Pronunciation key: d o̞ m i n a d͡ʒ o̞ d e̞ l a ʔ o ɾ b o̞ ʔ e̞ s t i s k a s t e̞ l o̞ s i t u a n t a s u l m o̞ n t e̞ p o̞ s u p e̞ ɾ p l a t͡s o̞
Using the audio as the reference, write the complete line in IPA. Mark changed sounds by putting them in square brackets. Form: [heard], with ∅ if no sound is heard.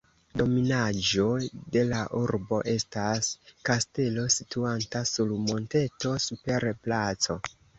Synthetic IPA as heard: d o̞ m i n a d͡ʒ o̞ d e̞ l a ʔ [u] ɾ b o̞ ʔ e̞ s t [a] s k a s t e̞ l o̞ s i t u a n t a s u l m o̞ n t e̞ [t] o̞ s u p e̞ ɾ p l a t͡s o̞